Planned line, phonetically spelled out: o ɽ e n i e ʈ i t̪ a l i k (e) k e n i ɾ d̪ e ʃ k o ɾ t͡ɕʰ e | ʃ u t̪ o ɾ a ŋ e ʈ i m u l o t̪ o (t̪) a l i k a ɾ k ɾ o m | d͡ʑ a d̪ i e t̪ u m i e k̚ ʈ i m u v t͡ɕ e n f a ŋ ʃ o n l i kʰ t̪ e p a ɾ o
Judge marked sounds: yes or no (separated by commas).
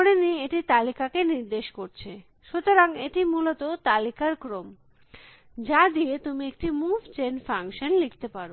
no, yes